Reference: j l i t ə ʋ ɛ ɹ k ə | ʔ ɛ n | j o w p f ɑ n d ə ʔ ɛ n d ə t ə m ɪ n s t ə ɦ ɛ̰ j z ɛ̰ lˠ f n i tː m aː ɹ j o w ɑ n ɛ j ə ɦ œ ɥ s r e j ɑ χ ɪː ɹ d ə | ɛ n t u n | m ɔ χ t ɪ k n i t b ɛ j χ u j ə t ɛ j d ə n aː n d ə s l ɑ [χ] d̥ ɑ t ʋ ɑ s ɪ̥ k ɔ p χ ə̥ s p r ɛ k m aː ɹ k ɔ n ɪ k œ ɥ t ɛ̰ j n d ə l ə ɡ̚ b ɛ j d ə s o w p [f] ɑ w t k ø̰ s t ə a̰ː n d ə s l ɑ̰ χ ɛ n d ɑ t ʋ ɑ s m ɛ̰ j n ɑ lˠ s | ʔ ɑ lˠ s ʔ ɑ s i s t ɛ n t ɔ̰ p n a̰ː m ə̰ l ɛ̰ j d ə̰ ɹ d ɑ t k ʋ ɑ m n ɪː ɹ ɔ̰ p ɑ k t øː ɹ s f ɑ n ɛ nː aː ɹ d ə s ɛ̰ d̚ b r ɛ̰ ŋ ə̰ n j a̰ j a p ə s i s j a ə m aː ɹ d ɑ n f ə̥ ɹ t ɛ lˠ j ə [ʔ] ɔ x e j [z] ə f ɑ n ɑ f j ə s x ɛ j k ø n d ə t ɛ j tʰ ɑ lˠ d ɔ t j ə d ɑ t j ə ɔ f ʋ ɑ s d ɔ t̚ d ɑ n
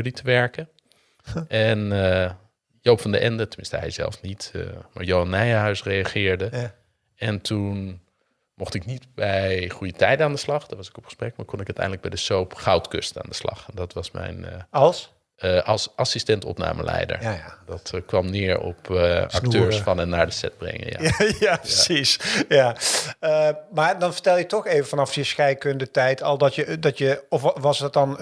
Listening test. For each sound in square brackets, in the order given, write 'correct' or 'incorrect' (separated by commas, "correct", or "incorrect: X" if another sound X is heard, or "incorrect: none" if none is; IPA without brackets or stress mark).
correct, incorrect: χ, incorrect: t, incorrect: v